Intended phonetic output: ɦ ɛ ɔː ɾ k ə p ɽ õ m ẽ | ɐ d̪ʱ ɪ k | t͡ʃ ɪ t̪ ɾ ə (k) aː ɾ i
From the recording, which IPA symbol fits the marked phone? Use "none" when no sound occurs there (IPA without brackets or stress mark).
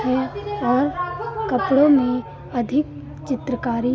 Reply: k